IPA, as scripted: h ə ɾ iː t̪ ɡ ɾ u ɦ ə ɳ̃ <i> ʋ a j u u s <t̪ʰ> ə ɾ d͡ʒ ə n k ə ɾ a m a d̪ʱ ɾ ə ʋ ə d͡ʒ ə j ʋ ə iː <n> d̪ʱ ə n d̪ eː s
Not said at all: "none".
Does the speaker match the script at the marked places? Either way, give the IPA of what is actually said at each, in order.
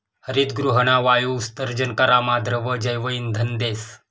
a, t̪, n

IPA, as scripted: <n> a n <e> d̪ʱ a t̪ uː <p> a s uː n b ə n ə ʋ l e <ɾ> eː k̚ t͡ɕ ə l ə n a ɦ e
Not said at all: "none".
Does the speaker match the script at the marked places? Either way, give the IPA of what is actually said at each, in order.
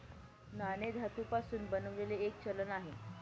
n, e, p, l

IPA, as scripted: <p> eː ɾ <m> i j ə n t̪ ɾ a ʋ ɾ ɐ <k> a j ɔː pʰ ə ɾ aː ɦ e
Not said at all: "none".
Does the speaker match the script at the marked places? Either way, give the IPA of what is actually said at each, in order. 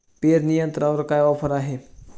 p, n, k

